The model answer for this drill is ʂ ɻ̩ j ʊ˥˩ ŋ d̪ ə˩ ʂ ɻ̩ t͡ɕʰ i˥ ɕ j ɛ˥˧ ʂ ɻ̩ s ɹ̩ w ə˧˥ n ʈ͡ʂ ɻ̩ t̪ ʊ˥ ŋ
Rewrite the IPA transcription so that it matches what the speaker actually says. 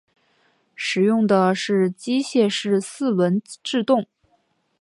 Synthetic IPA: ʂ ɻ̩ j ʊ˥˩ ŋ d̪ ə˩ ʂ ɻ̩ t͡ɕ i˥ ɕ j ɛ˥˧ ʂ ɻ̩ s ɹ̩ w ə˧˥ n ʈ͡ʂ ɻ̩ t̪ ʊ˥˩ ŋ